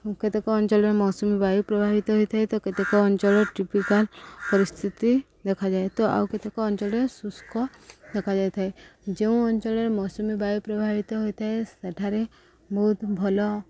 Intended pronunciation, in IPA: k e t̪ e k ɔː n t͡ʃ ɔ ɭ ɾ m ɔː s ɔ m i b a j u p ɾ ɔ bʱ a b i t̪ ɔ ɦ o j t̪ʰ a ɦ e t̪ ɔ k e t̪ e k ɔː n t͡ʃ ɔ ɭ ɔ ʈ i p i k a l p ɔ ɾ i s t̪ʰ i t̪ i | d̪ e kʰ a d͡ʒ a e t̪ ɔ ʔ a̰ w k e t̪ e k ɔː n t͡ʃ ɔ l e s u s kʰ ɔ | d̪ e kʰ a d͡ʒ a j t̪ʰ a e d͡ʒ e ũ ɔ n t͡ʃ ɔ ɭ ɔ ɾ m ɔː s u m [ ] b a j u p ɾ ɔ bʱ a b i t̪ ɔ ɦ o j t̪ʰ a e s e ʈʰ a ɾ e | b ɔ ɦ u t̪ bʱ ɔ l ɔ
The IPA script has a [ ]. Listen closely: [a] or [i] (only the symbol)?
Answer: i